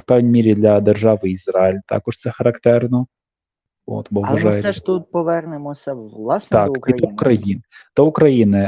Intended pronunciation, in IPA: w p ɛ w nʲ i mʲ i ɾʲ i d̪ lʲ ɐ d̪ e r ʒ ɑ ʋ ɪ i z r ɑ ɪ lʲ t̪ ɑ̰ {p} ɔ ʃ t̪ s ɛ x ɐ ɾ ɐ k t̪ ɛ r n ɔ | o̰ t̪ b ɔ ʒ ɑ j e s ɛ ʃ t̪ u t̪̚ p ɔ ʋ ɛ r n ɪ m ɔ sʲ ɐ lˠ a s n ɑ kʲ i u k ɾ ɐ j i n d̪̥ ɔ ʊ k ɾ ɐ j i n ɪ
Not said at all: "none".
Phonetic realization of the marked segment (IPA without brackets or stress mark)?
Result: k